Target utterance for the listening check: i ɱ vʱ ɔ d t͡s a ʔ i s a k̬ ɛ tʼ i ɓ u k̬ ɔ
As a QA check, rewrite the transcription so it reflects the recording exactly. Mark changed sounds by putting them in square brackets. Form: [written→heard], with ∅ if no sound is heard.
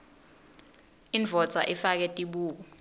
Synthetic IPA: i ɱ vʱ ɔ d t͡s a ʔ i [s→f] a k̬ ɛ tʼ i ɓ [u→uː] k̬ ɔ